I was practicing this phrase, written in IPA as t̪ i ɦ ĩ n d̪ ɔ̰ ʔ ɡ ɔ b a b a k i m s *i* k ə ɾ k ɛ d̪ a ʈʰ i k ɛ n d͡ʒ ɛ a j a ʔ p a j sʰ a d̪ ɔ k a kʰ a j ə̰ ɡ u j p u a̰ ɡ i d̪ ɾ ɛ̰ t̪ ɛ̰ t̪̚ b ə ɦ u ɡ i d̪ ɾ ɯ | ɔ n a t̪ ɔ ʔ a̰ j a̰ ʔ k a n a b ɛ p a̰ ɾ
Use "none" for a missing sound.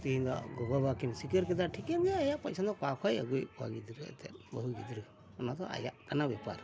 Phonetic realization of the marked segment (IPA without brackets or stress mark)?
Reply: i